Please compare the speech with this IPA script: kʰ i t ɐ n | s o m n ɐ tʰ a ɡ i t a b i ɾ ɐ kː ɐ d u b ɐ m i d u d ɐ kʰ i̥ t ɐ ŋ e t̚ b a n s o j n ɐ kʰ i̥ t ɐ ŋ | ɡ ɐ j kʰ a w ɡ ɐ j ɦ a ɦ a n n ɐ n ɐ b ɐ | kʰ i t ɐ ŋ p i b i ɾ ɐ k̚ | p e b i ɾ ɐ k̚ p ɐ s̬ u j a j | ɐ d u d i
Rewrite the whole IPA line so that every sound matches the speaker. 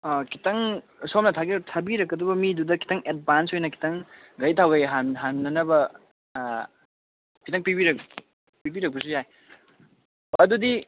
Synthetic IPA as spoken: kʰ i t ɐ ŋ | s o m n ɐ tʰ a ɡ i tʰ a b i ɾ ɐ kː ɐ d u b ɐ m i d u d ɐ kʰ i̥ t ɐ ŋ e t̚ b a n s o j n ɐ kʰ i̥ t ɐ ŋ | ɡ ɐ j tʰ a w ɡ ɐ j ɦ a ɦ a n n ɐ n ɐ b ɐ | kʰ i t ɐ ŋ p i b i ɾ ɐ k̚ | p i b i ɾ ɐ k̚ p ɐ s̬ u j a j | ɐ d u d i